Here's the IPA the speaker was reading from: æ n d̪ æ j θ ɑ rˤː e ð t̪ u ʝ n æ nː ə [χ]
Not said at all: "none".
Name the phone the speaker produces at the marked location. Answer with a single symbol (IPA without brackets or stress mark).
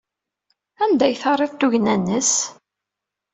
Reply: s